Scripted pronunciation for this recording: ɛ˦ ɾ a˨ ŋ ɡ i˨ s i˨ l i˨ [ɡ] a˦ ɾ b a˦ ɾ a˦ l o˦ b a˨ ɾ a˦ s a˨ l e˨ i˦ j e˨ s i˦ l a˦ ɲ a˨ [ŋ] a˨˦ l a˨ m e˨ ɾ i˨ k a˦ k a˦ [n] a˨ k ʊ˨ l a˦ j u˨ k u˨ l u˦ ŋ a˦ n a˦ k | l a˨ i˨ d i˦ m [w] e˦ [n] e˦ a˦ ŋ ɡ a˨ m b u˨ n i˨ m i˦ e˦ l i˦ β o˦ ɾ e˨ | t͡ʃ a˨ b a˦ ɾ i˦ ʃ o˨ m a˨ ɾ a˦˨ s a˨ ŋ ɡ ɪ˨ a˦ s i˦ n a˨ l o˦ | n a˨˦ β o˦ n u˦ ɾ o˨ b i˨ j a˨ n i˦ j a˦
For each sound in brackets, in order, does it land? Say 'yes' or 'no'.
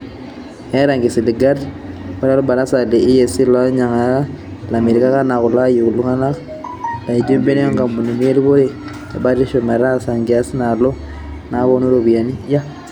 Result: yes, yes, yes, no, yes

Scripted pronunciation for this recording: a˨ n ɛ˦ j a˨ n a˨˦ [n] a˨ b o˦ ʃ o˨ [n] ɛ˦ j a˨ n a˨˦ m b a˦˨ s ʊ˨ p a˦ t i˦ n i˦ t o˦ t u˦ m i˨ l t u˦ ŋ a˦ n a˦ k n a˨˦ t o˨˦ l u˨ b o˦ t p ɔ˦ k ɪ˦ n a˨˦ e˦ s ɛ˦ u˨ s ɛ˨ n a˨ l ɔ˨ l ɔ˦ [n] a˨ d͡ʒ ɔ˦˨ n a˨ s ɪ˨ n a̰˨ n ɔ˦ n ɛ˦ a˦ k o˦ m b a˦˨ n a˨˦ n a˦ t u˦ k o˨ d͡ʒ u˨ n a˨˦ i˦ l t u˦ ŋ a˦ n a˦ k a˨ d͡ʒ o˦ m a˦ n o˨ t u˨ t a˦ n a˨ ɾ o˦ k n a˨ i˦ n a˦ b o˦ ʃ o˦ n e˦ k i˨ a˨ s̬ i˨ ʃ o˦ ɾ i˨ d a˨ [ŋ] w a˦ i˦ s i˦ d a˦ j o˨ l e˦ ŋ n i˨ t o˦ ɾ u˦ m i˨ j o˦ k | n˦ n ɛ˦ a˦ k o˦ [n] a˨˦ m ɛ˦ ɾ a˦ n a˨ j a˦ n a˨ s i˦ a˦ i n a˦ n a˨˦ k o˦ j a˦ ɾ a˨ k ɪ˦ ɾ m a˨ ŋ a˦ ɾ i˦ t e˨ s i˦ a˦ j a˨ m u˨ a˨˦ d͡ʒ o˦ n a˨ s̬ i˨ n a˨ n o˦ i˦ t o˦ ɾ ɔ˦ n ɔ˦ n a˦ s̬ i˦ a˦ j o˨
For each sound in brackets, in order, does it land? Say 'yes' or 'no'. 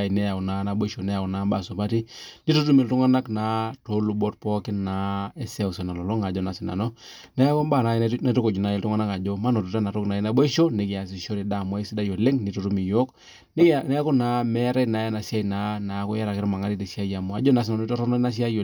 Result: yes, yes, no, no, yes

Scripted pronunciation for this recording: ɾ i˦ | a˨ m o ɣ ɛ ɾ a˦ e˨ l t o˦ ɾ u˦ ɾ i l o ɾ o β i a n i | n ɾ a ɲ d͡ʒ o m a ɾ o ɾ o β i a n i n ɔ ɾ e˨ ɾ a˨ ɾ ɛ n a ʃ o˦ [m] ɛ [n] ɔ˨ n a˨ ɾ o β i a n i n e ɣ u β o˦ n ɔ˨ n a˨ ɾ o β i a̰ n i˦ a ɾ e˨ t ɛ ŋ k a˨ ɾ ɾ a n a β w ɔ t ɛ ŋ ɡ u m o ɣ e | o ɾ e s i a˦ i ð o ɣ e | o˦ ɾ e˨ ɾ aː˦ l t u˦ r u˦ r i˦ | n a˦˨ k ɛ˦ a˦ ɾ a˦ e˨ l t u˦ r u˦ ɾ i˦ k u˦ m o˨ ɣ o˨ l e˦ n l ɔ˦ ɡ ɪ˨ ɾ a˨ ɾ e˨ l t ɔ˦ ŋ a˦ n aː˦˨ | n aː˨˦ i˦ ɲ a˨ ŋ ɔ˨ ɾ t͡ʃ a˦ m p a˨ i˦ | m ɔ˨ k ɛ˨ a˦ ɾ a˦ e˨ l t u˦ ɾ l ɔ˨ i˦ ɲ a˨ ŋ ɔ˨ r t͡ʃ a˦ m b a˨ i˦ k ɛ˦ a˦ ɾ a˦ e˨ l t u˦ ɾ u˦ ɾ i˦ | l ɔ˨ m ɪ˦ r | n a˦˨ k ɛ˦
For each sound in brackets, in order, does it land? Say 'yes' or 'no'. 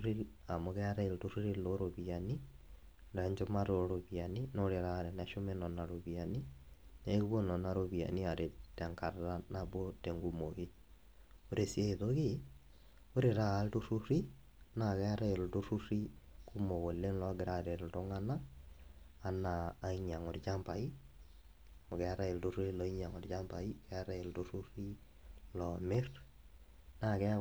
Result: yes, yes

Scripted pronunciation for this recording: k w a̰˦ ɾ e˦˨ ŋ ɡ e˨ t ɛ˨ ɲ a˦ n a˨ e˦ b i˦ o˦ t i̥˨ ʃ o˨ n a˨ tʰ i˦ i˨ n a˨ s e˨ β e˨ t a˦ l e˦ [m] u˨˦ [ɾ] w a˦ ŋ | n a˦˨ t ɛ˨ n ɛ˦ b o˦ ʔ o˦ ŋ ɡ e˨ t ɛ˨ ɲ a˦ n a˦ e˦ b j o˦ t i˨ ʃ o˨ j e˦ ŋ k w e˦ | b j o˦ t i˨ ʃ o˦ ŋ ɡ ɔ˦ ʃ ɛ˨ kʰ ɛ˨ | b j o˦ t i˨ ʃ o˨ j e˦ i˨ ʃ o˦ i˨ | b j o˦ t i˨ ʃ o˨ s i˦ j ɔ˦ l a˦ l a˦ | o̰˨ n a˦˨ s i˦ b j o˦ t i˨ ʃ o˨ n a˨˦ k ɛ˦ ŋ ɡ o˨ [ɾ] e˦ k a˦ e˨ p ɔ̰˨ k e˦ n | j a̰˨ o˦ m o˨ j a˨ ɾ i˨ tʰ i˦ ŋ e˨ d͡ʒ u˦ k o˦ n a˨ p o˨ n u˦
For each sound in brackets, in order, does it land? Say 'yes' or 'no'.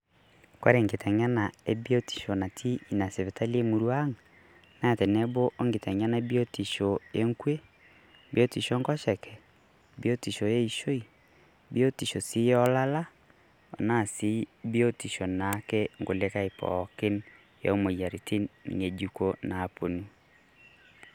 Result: yes, yes, no

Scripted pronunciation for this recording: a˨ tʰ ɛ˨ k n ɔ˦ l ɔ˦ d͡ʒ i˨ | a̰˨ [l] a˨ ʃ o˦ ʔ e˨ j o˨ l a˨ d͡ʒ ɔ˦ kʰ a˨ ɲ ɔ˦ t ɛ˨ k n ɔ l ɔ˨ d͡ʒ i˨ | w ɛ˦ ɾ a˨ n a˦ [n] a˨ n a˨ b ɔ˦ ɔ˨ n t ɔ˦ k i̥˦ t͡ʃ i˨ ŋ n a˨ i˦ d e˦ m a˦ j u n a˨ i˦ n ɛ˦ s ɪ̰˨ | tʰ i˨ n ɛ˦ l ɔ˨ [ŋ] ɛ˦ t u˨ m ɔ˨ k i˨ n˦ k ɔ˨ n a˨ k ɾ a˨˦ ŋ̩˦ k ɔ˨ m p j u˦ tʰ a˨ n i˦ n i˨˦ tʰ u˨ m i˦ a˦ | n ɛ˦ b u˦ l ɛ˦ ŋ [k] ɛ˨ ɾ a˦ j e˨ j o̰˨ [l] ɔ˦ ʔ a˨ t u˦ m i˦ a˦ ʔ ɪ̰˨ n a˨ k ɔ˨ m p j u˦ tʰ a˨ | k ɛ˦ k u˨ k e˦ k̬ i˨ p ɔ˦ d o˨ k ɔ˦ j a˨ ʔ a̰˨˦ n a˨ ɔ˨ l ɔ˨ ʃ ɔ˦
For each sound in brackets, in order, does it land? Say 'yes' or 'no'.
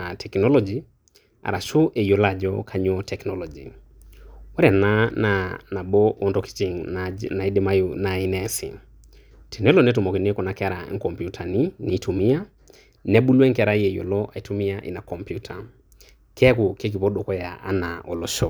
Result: no, yes, no, yes, yes

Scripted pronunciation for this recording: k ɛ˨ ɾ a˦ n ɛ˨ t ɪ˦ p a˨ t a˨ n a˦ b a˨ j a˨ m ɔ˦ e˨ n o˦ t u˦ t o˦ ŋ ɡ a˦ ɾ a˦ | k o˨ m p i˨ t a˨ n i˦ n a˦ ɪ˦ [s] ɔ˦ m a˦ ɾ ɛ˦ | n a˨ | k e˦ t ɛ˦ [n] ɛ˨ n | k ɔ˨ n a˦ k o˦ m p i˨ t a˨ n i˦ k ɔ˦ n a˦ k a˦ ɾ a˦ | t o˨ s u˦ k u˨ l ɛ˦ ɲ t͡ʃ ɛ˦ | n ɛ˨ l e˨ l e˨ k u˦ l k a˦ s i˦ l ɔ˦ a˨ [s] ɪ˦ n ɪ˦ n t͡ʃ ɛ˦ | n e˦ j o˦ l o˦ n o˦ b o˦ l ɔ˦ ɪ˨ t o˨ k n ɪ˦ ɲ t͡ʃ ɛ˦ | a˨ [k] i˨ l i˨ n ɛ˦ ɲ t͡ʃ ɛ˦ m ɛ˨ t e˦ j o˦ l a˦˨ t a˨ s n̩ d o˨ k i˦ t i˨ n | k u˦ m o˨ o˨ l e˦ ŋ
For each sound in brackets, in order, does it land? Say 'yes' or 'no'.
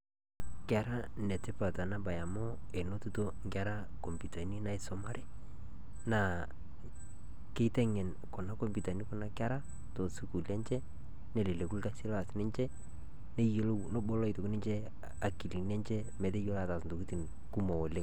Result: yes, no, yes, yes

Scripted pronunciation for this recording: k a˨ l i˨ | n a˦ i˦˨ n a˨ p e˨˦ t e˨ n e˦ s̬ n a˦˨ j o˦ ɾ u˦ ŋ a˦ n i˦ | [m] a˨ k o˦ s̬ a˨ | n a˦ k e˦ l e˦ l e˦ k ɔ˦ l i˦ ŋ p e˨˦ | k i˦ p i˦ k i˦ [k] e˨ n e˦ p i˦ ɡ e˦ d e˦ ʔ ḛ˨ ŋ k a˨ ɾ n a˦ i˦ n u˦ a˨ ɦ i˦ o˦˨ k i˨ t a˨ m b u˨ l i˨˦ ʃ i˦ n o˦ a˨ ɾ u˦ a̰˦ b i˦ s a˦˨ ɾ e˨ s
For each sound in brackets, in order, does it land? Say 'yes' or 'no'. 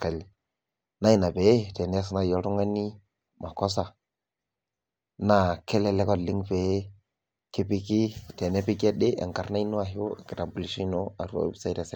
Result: yes, no

